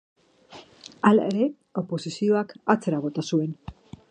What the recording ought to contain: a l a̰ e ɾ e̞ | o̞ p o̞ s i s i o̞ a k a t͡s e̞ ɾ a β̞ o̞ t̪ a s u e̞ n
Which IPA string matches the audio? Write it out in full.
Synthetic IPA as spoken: a l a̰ e ɾ e̞ | o̞ p o̞ s i s i o̞ a k a t͡s e̞ ɾ a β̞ o̞ t̪ a s u e̞ n